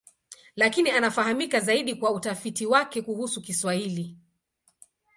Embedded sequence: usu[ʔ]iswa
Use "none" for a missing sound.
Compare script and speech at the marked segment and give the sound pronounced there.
k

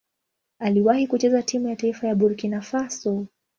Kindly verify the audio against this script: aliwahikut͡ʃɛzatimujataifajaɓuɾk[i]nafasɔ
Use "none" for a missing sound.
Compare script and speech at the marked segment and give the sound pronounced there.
i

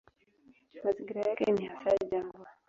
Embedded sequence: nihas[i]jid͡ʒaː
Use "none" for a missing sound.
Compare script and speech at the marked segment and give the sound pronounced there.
a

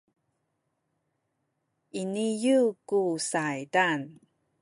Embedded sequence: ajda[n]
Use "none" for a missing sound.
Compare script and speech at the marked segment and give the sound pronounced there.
n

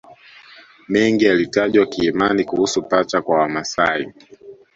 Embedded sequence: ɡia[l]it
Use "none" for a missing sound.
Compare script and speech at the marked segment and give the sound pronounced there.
l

